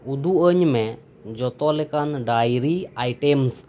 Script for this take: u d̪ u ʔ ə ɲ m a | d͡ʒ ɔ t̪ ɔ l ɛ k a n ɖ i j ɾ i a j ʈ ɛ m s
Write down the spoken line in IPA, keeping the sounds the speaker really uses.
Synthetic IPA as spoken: u d̪ u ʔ ə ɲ m ɛ | d͡ʒ ɔ t̪ ɔ l ɛ k a n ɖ a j ɾ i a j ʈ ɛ m s